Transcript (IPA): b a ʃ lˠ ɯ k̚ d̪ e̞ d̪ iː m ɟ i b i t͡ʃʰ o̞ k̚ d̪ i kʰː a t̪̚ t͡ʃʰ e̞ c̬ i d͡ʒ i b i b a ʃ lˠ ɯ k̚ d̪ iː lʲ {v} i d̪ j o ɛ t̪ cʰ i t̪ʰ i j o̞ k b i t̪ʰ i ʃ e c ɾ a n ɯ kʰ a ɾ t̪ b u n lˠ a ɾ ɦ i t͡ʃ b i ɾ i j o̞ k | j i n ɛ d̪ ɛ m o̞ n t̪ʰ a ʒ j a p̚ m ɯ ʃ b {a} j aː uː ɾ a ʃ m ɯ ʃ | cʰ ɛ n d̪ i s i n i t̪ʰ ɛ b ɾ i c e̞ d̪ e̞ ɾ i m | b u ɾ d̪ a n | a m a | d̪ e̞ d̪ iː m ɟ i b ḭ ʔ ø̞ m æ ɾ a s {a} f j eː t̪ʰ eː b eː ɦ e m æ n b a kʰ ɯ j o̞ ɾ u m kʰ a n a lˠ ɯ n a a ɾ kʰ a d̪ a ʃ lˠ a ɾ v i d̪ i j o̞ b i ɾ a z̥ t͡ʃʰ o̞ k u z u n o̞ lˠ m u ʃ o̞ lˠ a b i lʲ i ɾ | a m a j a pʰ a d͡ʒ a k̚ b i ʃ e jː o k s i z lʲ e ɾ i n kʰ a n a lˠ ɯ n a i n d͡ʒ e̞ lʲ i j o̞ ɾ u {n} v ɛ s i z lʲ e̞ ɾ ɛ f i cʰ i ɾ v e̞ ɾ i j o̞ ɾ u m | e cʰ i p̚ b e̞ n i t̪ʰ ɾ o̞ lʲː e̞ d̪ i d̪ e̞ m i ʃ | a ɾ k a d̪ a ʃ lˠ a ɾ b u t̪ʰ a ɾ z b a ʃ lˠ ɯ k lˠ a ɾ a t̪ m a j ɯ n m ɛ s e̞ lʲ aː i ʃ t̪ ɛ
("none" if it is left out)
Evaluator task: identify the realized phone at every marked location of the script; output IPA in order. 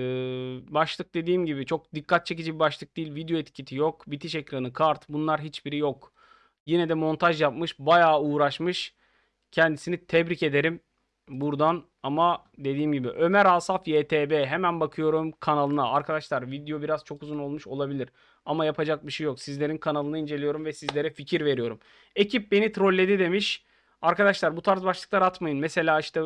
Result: v, a, a, m

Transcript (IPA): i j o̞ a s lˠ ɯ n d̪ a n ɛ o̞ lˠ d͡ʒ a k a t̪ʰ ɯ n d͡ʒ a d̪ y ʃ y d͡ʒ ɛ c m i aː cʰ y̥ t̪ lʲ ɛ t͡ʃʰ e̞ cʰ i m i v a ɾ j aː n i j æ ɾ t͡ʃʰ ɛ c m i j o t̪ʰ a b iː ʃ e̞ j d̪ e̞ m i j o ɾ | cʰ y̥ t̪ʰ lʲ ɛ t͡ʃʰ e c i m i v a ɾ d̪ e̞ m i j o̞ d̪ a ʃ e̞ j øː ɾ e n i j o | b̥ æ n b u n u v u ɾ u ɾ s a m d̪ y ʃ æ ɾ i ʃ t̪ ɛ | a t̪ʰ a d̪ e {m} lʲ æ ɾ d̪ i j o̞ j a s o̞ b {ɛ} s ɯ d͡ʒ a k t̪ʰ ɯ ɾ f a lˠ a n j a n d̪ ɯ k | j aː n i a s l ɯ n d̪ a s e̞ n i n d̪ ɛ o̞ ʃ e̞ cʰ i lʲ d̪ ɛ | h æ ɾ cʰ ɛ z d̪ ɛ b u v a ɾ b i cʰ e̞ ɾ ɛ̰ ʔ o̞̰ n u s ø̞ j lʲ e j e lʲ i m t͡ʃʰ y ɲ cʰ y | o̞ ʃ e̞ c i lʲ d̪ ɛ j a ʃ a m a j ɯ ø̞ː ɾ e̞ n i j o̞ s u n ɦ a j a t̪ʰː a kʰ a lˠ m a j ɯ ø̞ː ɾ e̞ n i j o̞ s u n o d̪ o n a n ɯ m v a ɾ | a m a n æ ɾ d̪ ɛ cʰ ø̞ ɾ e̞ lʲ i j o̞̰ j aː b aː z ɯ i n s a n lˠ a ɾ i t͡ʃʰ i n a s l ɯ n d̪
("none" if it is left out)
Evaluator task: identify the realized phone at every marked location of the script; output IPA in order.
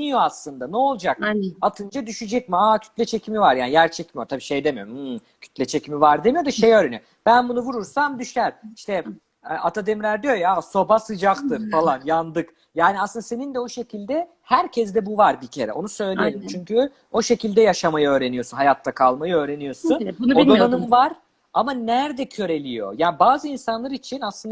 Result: m, a

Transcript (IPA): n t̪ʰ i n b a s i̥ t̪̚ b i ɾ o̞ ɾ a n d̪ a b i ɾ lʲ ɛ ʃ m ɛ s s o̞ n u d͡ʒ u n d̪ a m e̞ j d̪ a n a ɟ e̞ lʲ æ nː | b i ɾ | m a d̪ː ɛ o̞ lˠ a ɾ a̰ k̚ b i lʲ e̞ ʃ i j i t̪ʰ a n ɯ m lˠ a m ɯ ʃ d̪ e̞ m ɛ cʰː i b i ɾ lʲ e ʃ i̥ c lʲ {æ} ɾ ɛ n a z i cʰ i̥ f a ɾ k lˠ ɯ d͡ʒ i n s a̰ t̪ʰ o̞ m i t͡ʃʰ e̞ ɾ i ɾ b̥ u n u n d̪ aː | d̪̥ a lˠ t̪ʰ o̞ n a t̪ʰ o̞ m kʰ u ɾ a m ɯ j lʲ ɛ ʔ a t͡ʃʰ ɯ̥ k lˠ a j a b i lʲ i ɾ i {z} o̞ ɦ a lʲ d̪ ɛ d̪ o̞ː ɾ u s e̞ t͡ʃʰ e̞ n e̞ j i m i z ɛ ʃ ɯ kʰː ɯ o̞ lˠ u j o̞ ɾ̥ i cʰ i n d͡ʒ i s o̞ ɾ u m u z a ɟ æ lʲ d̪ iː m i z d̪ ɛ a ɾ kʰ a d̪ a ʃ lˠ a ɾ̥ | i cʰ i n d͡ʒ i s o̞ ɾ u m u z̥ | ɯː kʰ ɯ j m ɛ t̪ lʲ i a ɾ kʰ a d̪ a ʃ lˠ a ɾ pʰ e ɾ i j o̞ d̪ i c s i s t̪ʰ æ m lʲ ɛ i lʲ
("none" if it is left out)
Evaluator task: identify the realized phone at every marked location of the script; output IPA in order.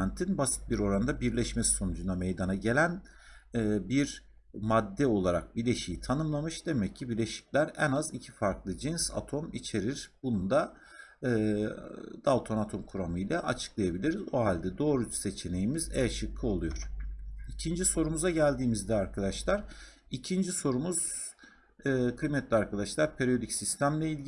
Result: æ, z

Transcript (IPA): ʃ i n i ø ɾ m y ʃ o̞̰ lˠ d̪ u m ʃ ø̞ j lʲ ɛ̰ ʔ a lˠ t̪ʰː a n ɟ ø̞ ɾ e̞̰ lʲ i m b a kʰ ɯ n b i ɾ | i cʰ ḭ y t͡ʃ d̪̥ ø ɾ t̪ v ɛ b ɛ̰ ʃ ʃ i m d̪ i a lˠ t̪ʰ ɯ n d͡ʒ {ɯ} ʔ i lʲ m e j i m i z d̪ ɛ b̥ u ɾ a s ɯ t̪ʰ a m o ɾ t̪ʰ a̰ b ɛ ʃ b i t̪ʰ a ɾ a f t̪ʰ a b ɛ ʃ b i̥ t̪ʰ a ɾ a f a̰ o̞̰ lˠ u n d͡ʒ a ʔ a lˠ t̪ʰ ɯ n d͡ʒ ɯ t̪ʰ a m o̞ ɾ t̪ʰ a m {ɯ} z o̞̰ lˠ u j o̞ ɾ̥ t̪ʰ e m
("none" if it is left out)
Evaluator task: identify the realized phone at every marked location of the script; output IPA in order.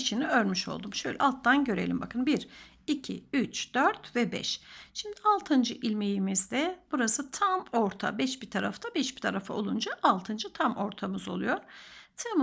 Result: ɯ, ɯ

